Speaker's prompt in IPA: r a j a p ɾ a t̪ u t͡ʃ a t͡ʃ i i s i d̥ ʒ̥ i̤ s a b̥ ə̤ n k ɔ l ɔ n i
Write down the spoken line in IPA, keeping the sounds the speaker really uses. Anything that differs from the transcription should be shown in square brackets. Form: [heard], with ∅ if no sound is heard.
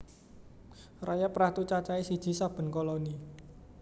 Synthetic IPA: r a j a p ɾ a t̪ u t͡ʃ a t͡ʃ [a] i s i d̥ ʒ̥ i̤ s a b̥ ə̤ n k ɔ l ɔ n i